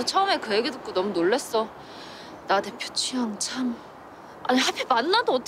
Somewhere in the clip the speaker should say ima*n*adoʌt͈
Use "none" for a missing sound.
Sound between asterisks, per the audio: nː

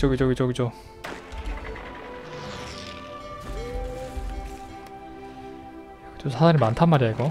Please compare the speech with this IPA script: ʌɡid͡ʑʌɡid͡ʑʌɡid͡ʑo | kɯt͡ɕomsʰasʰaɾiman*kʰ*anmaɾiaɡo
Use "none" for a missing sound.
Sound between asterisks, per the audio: tʰ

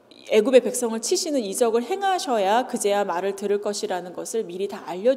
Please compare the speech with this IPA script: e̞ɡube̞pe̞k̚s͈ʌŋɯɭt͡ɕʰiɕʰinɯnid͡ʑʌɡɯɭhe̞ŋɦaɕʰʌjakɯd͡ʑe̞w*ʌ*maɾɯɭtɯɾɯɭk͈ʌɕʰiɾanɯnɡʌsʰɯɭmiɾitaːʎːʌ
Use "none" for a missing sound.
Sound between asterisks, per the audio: a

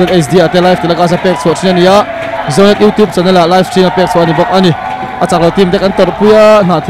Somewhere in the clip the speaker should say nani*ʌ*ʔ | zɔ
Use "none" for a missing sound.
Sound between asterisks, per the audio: a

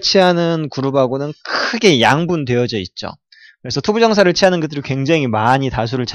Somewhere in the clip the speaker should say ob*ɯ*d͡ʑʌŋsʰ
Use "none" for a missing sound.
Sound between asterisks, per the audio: u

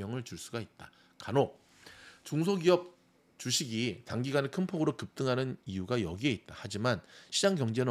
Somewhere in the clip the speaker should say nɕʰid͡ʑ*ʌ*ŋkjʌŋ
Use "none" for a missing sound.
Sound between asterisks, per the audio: a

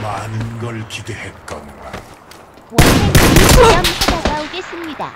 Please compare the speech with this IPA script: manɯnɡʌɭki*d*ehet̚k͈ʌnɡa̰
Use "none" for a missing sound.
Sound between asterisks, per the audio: d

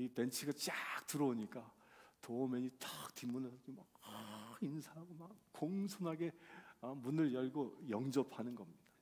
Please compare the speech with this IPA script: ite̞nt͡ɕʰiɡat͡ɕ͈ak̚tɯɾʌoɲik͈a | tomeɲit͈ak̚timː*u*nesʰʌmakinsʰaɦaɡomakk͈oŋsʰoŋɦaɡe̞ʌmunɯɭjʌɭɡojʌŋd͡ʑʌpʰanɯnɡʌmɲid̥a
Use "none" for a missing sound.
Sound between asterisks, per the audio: u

